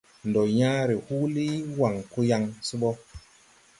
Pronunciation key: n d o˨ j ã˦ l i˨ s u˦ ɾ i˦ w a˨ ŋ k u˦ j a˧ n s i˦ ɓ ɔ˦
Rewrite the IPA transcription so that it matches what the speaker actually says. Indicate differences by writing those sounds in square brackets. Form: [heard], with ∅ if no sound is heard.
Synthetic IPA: n d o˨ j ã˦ [ɾ] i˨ [h] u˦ [l] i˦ w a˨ ŋ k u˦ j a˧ [ŋ] s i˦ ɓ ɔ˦